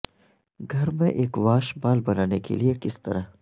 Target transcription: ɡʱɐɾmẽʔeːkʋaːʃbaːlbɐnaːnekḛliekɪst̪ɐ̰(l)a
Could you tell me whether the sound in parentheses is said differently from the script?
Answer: yes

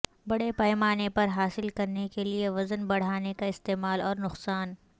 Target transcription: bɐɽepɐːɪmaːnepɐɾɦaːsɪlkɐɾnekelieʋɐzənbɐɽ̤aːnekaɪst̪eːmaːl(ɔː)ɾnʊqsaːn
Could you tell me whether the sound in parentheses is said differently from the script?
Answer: no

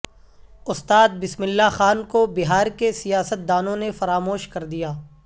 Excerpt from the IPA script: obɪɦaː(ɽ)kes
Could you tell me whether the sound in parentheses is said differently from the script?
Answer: yes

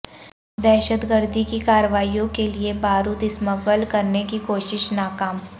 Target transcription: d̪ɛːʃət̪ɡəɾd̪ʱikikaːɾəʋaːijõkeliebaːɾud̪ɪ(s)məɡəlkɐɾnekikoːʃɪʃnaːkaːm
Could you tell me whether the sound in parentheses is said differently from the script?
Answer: no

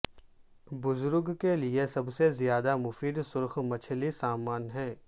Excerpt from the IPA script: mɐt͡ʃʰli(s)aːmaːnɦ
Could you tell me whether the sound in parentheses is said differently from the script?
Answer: no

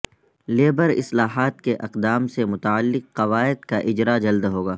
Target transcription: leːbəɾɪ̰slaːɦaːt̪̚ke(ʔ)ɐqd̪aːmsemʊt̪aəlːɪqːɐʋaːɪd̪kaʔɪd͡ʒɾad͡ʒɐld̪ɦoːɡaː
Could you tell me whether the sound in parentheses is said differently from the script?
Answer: no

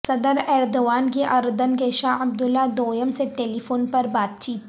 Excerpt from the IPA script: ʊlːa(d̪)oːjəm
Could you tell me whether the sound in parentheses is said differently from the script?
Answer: no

